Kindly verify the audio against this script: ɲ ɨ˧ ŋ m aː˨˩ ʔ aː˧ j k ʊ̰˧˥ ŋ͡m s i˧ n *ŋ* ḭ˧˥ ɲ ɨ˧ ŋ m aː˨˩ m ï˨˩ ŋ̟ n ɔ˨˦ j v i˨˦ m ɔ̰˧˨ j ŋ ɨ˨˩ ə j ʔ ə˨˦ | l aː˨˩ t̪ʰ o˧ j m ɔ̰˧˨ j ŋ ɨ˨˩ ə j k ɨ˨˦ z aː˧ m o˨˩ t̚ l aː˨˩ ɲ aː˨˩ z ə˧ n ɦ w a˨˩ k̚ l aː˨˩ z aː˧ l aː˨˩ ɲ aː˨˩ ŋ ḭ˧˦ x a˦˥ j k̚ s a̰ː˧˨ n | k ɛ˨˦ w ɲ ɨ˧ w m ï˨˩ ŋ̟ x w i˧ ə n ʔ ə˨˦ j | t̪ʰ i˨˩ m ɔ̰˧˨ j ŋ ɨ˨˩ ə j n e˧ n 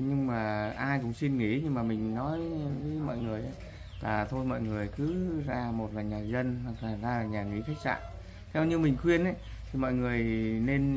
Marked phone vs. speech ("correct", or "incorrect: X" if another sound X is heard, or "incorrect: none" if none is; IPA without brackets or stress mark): correct